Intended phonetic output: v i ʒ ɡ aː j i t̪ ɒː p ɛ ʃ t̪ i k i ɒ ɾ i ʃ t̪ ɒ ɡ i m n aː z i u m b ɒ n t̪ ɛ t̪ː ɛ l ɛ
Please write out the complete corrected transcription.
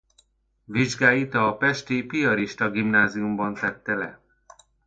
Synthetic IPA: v i ʒ ɡ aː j i t̪ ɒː p ɛ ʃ t̪ i p i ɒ ɾ i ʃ t̪ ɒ ɡ i m n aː z i u m b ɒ n t̪ ɛ t̪ː ɛ l ɛ